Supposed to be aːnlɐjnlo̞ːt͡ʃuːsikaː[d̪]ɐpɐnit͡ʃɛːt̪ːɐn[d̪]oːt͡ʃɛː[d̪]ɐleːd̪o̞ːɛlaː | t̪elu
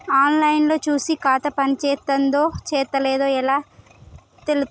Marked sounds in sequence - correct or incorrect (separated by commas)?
incorrect, correct, incorrect